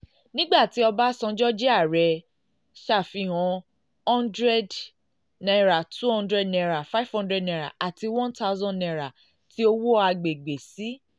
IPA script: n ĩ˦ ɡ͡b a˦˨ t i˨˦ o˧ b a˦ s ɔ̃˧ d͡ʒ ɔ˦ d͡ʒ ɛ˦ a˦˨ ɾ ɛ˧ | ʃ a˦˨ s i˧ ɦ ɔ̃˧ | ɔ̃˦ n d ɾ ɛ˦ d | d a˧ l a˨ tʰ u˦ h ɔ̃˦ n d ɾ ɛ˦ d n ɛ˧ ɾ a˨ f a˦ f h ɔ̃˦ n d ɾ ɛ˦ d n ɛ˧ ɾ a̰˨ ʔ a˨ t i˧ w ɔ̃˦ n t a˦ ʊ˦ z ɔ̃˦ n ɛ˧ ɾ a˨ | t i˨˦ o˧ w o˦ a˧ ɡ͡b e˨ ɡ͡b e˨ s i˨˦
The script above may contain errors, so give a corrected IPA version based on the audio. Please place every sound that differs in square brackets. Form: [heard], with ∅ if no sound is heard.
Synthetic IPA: n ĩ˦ ɡ͡b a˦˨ t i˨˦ [ɔ˧] b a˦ s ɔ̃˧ d͡ʒ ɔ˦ d͡ʒ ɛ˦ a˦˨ ɾ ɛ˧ | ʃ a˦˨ [f] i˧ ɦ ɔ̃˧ | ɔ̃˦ n d ɾ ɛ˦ d | [n] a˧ [ɾ] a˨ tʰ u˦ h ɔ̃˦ n d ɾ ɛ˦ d n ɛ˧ ɾ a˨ f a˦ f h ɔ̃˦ n d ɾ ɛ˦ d n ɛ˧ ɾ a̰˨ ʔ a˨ t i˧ w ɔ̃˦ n t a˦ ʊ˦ z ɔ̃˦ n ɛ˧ ɾ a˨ | t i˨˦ o˧ w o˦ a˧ ɡ͡b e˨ ɡ͡b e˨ s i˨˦